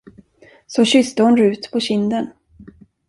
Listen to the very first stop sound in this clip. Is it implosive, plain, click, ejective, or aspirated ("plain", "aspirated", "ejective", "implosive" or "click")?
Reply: plain